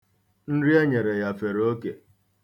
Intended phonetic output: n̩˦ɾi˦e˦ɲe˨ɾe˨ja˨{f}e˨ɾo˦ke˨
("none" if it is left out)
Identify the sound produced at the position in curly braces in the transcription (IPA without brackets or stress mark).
f